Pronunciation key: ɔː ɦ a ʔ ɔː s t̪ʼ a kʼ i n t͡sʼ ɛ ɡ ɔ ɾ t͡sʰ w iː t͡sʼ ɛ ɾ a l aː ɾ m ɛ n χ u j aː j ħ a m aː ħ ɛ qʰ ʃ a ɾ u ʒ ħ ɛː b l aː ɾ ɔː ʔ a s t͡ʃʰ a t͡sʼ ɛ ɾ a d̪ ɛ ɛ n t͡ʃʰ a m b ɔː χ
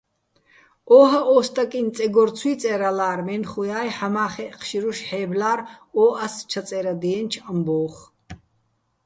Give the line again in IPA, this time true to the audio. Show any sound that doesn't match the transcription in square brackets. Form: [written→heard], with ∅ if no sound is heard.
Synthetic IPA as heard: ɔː ɦ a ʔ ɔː s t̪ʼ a kʼ i n t͡sʼ ɛ ɡ ɔ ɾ t͡sʰ w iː t͡sʼ ɛ ɾ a l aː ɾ m ɛ n χ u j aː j ħ a m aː [ħ→χ] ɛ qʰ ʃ [a→i] ɾ u [ʒ→ʃ] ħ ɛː b l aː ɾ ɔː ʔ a s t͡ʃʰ a t͡sʼ ɛ ɾ a d̪ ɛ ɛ n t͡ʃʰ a m b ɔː χ